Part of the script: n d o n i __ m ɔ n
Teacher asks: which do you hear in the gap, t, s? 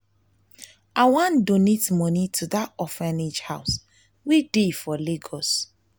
t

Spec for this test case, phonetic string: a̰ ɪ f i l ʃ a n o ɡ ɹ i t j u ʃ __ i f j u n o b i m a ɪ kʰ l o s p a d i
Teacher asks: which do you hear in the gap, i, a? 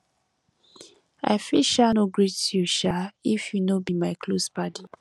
a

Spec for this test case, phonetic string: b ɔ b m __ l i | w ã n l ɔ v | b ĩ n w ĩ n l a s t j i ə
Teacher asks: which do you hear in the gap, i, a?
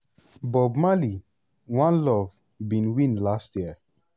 a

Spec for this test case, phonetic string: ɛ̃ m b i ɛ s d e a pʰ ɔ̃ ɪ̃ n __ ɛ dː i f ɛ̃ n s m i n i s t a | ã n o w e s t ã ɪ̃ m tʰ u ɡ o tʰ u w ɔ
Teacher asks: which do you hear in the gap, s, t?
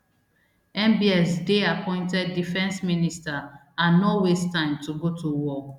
t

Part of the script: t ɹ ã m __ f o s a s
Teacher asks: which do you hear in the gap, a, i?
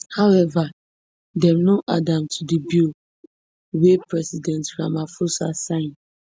a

